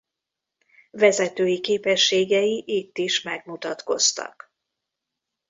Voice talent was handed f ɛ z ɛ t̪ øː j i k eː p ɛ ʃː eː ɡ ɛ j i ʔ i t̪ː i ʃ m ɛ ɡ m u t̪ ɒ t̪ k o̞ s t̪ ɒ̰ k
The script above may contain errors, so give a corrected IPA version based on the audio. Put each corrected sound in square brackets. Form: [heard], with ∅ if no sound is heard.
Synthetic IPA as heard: [v] ɛ z ɛ t̪ øː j i k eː p ɛ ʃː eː ɡ ɛ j i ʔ i t̪ː i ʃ m ɛ ɡ m u t̪ ɒ t̪ k o̞ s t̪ ɒ̰ k